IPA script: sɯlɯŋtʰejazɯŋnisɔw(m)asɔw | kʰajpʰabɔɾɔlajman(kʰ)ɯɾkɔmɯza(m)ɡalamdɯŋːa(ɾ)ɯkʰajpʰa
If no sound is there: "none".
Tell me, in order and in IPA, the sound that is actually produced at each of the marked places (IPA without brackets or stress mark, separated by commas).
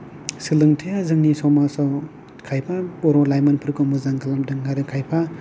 m, pʰ, ŋ, ɾ